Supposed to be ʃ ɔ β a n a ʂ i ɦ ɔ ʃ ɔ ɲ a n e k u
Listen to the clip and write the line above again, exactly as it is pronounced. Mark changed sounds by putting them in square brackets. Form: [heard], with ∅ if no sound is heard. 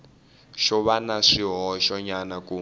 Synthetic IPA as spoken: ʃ ɔ β a n a ʂ i ɦ ɔ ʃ ɔ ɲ a n [a] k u

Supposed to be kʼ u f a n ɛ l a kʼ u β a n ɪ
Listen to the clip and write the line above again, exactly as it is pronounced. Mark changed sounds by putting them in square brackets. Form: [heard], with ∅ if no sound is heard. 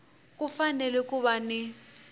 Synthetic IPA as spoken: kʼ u f a n ɛ l [ɛ] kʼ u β a n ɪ

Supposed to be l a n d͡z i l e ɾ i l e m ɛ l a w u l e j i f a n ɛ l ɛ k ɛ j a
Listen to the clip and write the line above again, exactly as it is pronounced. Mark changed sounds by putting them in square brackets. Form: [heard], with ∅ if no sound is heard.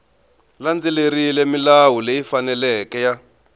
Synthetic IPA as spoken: l a n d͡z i l e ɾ i l e m [i] l a w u l e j i f a n ɛ l ɛ k ɛ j a

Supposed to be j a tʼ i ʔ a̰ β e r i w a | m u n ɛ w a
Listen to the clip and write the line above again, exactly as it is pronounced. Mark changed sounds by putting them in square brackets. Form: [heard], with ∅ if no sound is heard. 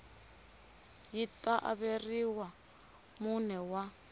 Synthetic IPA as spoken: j [i] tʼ [a] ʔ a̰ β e r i w a | m u n ɛ w a

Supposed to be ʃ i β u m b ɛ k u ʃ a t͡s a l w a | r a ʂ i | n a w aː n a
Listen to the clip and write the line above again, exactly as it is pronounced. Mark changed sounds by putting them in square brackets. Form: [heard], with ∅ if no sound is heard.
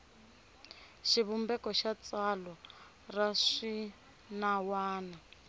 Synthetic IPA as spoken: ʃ i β u m b ɛ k [ɔ] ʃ a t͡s a l w a | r a ʂ i | n a w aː n a

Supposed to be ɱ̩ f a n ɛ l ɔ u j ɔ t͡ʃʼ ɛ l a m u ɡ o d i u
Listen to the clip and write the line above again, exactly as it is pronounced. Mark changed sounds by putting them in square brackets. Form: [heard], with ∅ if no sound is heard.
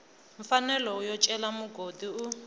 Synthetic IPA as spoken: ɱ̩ f a n ɛ l ɔ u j ɔ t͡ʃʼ ɛ l a m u ɡ o d i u

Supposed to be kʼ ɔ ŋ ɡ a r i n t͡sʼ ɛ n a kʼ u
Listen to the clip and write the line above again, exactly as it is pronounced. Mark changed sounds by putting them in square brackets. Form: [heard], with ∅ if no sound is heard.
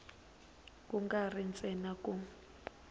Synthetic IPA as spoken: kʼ [u] ŋ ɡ a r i n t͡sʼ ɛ n a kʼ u

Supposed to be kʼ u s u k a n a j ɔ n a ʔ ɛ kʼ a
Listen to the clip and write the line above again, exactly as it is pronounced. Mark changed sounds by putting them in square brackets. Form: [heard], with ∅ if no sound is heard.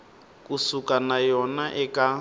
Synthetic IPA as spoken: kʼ u s u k a n a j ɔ n a ʔ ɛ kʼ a

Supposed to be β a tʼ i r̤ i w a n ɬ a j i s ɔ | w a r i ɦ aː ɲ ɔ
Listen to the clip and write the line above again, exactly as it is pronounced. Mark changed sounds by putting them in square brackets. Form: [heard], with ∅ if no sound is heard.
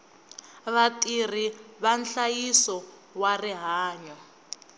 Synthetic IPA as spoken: β a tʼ i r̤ i [β] a n ɬ a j i s ɔ | w a r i ɦ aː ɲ ɔ

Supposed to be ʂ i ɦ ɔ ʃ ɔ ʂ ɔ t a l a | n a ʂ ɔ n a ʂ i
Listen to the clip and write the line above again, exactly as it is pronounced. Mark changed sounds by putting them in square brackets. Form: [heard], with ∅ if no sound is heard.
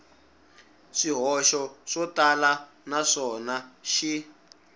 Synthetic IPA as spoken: ʂ i ɦ ɔ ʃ ɔ ʂ ɔ t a l a | n a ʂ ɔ n a [ʃ] i

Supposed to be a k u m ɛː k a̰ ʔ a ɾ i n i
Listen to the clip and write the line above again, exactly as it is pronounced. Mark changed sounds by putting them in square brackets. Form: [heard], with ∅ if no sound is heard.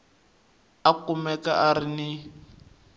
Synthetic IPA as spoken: a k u m [ɛ] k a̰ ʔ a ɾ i n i

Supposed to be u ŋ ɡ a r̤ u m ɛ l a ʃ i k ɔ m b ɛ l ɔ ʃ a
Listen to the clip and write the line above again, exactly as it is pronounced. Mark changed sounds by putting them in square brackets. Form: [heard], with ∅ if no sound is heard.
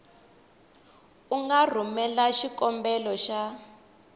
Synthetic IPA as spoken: u ŋ ɡ a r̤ u m ɛ l a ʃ i k ɔ m b ɛ l ɔ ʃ a

